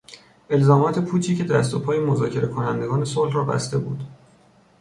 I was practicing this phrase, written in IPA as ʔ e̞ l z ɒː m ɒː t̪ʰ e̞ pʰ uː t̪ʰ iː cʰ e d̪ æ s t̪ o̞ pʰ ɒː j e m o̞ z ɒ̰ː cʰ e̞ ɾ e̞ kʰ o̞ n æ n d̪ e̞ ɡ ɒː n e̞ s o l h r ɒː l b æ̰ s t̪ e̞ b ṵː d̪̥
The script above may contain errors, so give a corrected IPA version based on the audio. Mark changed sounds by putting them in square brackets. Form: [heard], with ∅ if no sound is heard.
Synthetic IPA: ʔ e̞ l z ɒː m ɒː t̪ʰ e̞ pʰ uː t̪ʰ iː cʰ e d̪ æ s t̪ o̞ pʰ ɒː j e m o̞ z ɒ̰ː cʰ e̞ ɾ e̞ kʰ o̞ n æ n d̪ e̞ ɡ ɒː n e̞ s o l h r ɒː [∅] b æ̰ s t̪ e̞ b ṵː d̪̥